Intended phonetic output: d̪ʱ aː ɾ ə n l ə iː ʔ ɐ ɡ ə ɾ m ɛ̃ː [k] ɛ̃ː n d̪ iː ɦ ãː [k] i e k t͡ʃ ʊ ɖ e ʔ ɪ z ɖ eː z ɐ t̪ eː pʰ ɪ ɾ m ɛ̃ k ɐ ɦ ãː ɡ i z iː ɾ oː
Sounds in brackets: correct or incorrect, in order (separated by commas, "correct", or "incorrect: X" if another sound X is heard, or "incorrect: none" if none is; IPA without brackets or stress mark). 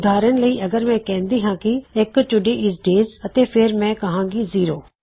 correct, correct